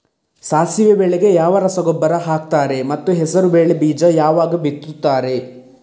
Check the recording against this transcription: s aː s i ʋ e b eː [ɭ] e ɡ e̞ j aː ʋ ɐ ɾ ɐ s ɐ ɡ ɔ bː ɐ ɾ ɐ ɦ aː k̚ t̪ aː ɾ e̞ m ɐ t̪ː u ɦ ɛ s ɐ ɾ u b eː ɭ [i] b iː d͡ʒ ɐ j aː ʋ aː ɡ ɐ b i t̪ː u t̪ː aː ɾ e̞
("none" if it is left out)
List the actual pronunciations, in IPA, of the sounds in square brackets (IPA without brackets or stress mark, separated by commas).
ɭ, e